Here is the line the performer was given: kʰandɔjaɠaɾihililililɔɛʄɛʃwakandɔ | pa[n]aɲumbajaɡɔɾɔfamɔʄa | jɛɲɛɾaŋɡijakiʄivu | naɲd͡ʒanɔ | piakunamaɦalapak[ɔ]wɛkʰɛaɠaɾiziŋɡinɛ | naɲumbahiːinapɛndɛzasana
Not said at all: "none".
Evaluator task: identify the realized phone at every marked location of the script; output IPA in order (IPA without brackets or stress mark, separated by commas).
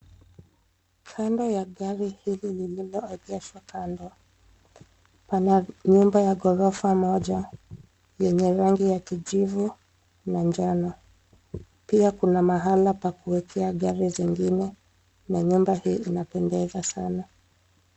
n, u